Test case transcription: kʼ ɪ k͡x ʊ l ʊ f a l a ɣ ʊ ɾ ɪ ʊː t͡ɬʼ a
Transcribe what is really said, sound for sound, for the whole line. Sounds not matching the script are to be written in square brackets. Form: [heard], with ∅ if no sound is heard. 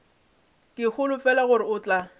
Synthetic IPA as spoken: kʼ ɪ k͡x ʊ l ʊ f [ɛ] l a ɣ ʊ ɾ ɪ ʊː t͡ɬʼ a